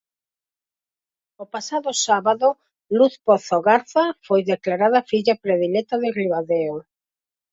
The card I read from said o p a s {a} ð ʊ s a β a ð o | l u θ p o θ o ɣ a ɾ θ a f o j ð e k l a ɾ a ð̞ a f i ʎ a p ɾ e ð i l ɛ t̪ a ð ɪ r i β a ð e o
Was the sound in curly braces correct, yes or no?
yes